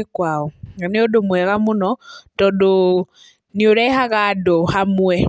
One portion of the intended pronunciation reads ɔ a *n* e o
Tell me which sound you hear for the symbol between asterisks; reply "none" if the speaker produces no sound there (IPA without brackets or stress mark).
n